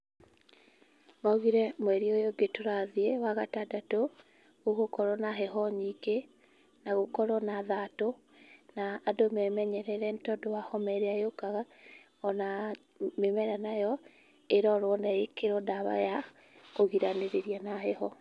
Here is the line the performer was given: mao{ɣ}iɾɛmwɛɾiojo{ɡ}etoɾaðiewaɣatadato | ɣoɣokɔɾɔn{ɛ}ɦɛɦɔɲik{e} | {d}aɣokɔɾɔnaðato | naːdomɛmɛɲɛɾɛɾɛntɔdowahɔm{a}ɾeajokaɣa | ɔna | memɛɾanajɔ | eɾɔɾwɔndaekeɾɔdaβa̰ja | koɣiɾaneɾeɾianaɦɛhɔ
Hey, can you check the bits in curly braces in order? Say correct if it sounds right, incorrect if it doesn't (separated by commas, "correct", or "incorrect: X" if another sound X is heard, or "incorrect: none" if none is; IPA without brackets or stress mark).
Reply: correct, correct, incorrect: a, correct, incorrect: n, incorrect: ɛ